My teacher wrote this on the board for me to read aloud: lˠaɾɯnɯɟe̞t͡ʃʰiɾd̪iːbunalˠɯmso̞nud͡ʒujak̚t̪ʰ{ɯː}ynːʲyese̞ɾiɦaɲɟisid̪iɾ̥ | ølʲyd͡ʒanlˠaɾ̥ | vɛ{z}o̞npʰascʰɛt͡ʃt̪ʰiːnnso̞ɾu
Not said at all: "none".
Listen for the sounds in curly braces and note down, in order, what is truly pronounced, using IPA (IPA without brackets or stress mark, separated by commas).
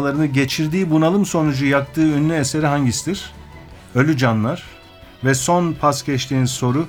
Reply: ɯː, s